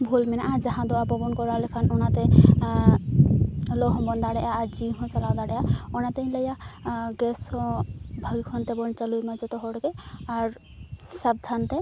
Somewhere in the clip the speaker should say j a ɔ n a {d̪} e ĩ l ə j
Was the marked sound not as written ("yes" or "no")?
yes